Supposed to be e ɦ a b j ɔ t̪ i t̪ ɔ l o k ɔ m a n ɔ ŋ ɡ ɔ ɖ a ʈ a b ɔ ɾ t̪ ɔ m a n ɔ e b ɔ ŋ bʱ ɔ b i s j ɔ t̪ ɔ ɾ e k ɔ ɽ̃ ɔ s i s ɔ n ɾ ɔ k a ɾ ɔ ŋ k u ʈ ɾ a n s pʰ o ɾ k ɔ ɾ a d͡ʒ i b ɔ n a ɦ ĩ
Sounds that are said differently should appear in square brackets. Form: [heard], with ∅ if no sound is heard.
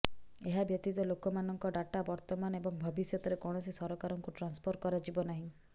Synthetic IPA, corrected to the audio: e ɦ a b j ɔ t̪ i t̪ ɔ l o k ɔ m a n ɔ ŋ [k] ɔ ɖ a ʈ a b ɔ ɾ t̪ ɔ m a n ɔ e b ɔ ŋ bʱ ɔ b i s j ɔ t̪ ɔ ɾ e k ɔ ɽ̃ ɔ s i s ɔ [∅] ɾ ɔ k a ɾ ɔ ŋ k u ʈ ɾ a n s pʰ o ɾ k ɔ ɾ a d͡ʒ i b ɔ n a ɦ ĩ